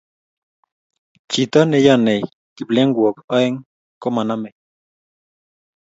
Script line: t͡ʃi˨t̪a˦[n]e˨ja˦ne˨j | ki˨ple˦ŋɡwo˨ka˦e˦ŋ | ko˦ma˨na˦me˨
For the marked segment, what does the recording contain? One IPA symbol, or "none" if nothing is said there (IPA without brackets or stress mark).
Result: n